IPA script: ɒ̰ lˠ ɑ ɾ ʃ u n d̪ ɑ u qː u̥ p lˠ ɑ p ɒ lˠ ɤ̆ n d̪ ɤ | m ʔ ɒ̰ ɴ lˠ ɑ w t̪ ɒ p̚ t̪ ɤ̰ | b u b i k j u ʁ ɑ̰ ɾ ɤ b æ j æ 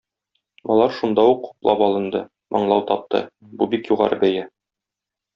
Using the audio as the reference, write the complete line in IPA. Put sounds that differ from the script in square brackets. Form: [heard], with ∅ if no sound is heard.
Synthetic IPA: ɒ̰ lˠ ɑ ɾ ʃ u n d̪ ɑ u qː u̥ p lˠ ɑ p ɒ lˠ ɤ̆ n d̪ ɤ | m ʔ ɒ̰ ɴ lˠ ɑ w t̪ ɒ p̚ t̪ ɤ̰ | b u b i k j u ʁ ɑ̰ ɾ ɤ b æ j æ